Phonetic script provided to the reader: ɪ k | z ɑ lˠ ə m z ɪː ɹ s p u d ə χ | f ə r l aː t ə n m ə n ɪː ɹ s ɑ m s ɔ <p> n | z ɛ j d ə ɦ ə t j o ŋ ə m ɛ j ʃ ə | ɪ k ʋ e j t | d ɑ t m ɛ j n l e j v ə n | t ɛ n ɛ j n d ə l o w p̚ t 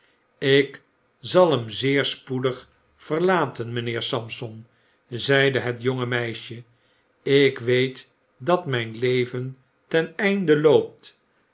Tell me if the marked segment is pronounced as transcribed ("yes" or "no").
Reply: no